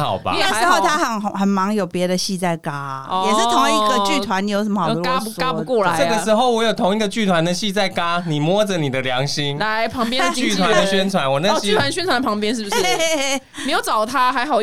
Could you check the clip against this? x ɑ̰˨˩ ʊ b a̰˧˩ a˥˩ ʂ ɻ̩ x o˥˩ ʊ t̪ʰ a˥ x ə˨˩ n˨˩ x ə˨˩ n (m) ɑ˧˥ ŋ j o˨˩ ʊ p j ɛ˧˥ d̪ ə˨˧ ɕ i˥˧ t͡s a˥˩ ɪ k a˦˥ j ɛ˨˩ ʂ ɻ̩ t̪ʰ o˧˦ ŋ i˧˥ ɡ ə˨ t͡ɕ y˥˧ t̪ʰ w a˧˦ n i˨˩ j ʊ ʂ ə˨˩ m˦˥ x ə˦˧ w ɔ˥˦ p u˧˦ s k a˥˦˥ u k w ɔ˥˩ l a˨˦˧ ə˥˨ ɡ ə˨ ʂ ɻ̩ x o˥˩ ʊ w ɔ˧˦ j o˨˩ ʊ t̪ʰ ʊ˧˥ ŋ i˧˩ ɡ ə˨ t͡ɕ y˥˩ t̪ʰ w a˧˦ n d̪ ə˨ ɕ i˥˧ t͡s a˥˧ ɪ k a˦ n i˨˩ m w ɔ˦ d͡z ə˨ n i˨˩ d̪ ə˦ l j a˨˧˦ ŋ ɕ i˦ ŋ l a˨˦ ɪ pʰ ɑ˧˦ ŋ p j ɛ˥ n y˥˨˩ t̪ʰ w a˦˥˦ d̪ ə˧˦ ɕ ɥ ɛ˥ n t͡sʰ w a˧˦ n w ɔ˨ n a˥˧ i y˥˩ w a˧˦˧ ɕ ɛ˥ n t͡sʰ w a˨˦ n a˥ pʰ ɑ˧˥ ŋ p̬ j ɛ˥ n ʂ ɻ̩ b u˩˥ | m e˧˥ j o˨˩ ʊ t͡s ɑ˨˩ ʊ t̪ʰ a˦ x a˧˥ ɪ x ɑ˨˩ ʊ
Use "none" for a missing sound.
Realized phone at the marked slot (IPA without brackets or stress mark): m